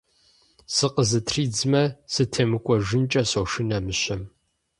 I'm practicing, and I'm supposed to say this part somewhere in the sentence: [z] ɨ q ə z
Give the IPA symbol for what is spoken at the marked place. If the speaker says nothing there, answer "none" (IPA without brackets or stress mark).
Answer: s